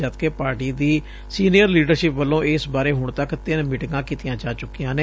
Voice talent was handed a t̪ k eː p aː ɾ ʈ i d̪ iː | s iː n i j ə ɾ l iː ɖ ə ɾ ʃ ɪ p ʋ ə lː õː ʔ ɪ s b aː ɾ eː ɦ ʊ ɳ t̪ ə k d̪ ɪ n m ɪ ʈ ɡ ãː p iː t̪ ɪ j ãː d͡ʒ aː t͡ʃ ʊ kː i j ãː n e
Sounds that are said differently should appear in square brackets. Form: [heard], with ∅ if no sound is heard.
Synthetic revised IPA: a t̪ k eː p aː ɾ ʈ [iː] d̪ iː | s iː n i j ə ɾ l iː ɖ ə ɾ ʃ ɪ p ʋ ə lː õː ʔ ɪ s b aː ɾ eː ɦ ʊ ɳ t̪ ə k [t̪] ɪ n m ɪ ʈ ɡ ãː [k] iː t̪ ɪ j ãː d͡ʒ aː t͡ʃ ʊ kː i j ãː n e